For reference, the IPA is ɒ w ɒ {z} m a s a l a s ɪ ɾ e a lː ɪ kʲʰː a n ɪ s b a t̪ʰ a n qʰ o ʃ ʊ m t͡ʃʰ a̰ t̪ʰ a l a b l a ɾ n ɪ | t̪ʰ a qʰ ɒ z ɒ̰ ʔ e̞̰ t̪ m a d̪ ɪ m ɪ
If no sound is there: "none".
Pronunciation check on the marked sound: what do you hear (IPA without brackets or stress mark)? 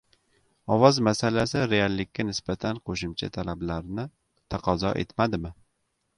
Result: z